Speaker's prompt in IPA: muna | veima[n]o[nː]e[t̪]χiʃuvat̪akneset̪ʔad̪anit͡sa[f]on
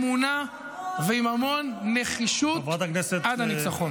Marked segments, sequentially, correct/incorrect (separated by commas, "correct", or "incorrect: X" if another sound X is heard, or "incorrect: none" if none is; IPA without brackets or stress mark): incorrect: m, correct, incorrect: none, incorrect: χ